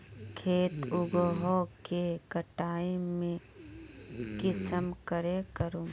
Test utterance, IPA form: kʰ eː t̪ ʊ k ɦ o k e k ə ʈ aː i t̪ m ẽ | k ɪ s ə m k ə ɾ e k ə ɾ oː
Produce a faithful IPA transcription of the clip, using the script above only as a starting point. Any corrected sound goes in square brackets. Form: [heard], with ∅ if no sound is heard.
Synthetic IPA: kʰ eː t̪ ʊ [ɡ] ɦ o k e k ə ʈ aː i [∅] m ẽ | k ɪ s ə m k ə ɾ e k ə ɾ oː

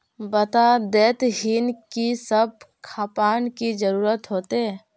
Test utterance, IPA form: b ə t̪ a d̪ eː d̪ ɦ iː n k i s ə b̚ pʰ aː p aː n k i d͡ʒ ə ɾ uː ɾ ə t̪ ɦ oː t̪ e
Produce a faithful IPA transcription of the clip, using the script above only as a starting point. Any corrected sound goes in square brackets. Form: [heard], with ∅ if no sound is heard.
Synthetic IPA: b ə t̪ a d̪ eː [t̪] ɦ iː n k i s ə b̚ [kʰ] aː p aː n k i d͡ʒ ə ɾ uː ɾ ə t̪ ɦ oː t̪ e

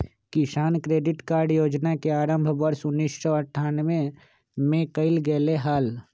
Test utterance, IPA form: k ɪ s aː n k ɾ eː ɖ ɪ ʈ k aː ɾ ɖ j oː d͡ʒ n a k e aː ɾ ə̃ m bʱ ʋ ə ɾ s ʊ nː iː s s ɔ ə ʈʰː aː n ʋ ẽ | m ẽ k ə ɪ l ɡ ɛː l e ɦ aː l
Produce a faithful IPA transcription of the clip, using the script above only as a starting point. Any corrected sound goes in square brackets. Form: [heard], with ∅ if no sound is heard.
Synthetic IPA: k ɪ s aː n k ɾ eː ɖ ɪ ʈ k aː ɾ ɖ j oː d͡ʒ n a k e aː ɾ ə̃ m bʱ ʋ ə ɾ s ʊ nː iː s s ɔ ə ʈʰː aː n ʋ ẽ | m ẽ k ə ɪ l ɡ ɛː l e ɦ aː l

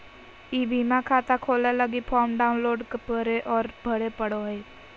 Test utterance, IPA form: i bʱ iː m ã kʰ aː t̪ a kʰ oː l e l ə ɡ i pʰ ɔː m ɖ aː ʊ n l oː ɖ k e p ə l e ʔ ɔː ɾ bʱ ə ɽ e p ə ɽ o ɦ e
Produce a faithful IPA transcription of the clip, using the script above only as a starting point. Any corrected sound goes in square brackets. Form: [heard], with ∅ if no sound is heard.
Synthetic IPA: i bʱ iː m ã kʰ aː t̪ a kʰ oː l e l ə ɡ i pʰ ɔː m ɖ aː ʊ n l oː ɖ k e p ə [ɾ] e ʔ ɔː ɾ bʱ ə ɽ e p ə ɽ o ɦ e

